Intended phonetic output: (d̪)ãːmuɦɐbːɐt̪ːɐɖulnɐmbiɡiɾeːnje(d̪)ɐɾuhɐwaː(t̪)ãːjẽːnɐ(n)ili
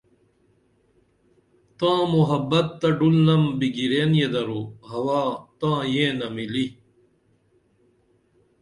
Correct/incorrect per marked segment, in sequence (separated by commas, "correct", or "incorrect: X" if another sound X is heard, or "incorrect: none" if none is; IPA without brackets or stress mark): incorrect: t̪, correct, correct, incorrect: m